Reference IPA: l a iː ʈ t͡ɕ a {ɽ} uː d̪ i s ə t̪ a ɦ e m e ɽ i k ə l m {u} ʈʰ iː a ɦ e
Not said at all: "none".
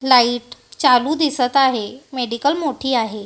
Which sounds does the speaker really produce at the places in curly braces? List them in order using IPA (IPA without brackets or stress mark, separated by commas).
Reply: l, o